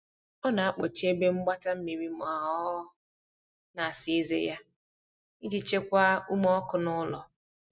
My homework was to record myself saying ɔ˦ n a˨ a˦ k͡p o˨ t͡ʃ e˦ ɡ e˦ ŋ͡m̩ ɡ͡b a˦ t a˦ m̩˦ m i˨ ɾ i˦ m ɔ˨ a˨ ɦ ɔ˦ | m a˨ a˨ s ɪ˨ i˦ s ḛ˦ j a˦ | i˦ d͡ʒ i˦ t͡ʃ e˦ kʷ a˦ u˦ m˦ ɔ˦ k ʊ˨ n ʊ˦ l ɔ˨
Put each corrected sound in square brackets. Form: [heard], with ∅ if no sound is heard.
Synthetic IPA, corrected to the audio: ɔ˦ n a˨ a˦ k͡p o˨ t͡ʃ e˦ [b] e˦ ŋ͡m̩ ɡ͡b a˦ t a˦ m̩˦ m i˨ ɾ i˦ m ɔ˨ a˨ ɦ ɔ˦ | [n] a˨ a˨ s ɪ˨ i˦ [z] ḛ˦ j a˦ | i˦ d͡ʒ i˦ t͡ʃ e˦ kʷ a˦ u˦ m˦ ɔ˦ k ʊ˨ n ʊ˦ l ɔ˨